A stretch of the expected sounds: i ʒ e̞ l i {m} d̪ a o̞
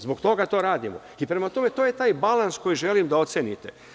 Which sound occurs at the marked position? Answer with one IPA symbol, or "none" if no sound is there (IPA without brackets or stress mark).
m